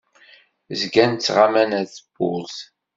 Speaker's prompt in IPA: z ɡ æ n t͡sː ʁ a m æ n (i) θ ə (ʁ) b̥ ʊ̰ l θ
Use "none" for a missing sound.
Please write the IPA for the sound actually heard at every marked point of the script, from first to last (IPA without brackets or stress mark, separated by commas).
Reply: æ, none